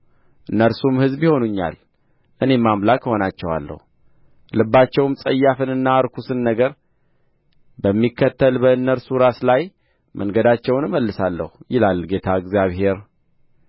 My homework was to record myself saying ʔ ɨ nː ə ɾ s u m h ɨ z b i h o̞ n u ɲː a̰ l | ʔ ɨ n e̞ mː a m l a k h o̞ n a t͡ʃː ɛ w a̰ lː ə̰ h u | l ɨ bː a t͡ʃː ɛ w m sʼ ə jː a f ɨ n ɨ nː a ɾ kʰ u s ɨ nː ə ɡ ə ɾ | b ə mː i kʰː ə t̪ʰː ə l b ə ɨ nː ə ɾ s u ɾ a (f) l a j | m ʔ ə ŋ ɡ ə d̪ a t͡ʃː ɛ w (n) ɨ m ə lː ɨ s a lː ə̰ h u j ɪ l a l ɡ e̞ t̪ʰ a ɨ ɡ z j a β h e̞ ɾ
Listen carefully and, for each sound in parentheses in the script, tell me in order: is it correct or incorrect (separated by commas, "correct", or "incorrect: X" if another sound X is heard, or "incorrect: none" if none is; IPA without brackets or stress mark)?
incorrect: s, correct